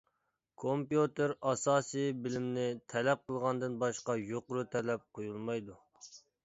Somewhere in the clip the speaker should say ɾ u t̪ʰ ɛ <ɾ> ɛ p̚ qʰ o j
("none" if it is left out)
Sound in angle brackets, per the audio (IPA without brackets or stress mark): l